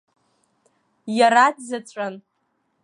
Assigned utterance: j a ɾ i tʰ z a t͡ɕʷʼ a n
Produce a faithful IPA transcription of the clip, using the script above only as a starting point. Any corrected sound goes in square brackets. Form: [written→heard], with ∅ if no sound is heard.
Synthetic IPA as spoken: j a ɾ [i→a] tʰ z a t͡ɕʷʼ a n